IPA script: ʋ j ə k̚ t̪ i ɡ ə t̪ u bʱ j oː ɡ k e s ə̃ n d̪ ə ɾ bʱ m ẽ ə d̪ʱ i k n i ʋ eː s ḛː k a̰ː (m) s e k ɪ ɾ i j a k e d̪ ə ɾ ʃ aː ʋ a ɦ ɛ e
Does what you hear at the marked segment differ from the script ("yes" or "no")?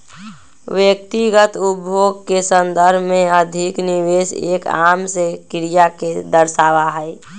no